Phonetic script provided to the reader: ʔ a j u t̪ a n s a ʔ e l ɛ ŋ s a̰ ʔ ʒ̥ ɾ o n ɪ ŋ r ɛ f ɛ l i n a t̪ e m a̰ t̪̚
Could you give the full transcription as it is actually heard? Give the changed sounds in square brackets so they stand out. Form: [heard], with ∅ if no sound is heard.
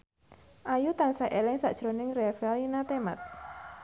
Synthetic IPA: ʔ a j u t̪ a n s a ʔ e l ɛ ŋ s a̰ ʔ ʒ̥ ɾ o n ɪ ŋ r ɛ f ɛ l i n a t̪ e m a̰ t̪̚

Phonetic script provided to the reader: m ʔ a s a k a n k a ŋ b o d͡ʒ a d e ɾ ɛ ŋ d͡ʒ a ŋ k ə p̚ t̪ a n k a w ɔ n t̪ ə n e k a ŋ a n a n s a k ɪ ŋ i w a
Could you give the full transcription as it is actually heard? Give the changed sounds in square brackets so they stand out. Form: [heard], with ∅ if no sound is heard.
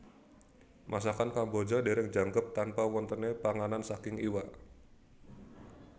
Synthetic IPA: m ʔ a s a k a n k a [m] b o d͡ʒ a d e ɾ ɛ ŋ d͡ʒ a ŋ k ə p̚ t̪ a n [p] a w ɔ n t̪ ə n e [p] a ŋ a n a n s a k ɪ ŋ i w a

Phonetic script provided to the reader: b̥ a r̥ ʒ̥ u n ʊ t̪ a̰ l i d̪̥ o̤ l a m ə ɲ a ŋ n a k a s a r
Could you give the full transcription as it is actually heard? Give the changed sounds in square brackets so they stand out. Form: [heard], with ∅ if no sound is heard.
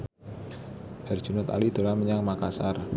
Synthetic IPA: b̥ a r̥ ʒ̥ u n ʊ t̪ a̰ l i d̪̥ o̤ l a m ə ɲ a ŋ [m] a k a s a r

